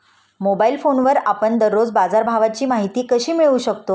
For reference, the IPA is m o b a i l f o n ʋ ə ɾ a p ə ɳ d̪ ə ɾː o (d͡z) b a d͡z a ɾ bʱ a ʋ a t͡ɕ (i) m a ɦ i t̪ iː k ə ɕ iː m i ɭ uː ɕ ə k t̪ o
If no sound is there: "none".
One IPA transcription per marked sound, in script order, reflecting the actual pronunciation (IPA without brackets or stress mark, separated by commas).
d͡z, iː